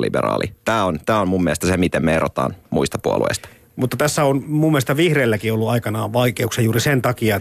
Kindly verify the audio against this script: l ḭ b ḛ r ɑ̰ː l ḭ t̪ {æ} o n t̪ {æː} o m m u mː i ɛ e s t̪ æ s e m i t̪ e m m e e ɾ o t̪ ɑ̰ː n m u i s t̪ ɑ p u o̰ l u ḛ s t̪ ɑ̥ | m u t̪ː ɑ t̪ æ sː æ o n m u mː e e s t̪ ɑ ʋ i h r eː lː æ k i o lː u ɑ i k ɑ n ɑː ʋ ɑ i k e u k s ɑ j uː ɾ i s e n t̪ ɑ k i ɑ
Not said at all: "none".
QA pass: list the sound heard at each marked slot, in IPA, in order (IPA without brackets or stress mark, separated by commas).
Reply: æː, æː